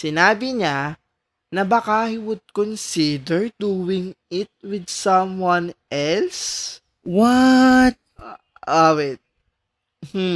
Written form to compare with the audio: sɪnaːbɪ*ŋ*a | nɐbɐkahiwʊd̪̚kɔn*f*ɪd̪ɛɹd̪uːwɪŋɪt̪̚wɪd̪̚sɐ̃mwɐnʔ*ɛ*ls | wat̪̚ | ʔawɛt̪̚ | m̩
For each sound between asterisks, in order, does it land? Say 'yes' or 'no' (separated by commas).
no, no, yes